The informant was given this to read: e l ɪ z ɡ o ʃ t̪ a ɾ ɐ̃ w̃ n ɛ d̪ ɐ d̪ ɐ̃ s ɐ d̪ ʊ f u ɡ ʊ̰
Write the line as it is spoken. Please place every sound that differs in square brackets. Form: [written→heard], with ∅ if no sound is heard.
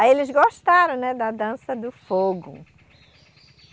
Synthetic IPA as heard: e l ɪ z ɡ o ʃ t̪ a ɾ ɐ̃ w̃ n ɛ d̪ ɐ d̪ ɐ̃ s ɐ d̪ ʊ f [u→o] ɡ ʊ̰